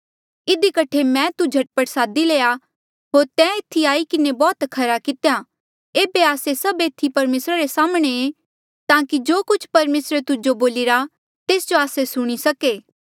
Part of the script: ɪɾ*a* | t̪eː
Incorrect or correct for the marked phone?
correct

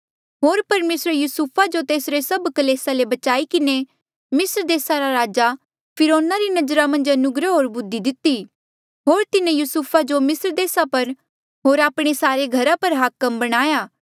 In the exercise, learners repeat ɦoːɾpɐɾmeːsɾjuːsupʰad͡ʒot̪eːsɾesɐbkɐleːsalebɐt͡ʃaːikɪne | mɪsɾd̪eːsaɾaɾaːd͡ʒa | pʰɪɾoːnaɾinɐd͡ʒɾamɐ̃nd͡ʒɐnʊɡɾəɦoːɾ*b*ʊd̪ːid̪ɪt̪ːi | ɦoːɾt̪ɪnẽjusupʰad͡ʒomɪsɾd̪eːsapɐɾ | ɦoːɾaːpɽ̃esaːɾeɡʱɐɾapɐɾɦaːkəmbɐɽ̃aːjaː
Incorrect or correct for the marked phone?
correct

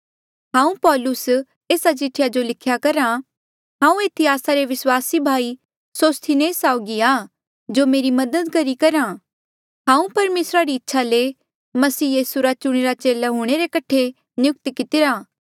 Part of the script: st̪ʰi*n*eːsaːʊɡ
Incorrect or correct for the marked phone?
correct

